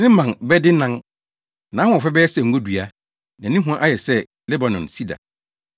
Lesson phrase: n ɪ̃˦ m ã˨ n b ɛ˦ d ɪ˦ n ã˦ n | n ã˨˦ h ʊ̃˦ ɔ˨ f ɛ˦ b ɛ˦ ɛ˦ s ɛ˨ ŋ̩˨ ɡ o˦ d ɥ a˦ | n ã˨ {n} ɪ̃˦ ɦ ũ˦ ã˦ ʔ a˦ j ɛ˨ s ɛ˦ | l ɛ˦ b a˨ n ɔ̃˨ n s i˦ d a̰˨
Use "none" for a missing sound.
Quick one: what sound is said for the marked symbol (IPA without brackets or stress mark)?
n